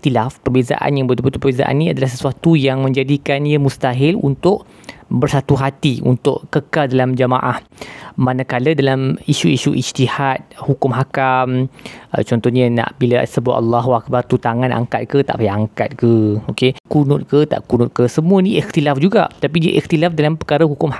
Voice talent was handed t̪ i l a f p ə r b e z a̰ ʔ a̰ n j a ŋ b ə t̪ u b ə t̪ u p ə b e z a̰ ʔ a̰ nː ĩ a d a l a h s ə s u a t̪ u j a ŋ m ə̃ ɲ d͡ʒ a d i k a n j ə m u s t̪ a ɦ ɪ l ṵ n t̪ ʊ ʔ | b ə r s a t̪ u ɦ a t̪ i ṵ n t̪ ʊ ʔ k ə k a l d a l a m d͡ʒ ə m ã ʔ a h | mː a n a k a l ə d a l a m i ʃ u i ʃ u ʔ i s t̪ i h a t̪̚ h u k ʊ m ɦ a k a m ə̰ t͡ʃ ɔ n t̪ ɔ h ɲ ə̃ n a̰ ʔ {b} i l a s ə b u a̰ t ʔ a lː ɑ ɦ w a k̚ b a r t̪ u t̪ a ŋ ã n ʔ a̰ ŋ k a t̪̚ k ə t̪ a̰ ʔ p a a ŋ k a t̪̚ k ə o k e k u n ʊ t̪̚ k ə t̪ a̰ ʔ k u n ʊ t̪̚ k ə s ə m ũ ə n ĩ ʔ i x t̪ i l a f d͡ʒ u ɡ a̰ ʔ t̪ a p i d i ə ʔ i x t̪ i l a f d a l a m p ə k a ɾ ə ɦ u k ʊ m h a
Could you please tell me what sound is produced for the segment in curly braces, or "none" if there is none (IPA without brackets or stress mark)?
b